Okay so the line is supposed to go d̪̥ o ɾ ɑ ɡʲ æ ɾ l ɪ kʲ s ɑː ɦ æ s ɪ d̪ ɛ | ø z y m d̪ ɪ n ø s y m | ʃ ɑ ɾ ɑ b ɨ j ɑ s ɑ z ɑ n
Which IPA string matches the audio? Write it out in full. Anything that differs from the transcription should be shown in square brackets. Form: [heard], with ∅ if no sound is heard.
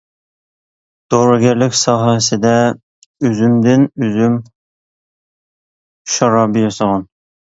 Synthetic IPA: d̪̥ o ɾ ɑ ɡʲ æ ɾ l ɪ kʲ s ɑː ɦ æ s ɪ d̪ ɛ | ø z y m d̪ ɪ n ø [z] y m | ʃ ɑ ɾ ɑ b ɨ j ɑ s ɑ [ʁ] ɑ n